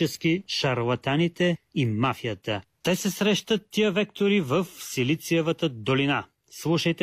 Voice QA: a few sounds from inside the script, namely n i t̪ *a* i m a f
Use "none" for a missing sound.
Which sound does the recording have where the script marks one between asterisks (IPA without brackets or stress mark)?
ɛ